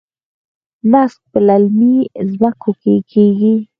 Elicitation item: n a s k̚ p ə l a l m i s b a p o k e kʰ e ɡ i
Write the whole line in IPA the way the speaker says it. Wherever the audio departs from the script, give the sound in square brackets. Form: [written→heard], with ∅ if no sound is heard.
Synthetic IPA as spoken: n a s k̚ p ə l a l m i [s→z] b a [p→k] o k e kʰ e ɡ i